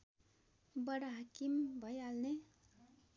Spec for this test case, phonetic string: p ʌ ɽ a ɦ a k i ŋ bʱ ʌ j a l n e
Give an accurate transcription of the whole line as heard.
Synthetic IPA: b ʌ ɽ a ɦ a k i m bʱ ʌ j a l n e